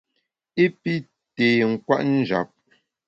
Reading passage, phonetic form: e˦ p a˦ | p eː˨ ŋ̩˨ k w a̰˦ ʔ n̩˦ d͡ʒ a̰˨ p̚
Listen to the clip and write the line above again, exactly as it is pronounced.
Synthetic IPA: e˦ p i˦ | t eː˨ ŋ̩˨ k w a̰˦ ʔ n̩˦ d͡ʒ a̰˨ p̚